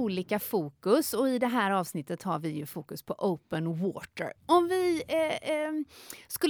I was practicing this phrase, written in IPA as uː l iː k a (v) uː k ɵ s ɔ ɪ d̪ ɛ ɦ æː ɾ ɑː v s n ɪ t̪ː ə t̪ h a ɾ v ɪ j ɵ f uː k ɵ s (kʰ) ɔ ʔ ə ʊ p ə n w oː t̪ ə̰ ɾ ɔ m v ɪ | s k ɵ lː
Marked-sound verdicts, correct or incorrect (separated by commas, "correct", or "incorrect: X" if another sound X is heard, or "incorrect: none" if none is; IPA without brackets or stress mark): incorrect: f, incorrect: pʰ